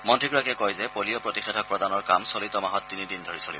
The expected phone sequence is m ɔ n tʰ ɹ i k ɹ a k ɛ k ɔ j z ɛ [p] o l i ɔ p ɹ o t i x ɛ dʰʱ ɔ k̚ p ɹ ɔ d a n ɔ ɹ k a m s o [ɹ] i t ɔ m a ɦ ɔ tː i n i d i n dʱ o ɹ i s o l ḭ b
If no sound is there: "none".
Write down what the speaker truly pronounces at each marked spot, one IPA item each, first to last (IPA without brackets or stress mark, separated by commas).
p, l